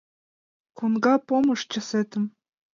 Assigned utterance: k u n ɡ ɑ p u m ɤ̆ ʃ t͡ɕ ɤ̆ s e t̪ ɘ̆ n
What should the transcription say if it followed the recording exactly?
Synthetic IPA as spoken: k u n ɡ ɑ p o m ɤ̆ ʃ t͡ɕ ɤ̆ s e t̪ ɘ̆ m